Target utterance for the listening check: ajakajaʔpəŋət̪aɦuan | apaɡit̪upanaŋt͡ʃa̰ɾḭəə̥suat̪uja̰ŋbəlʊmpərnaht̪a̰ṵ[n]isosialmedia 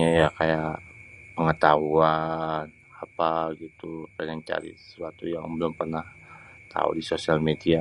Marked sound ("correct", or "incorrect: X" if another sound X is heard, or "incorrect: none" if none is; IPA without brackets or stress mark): incorrect: d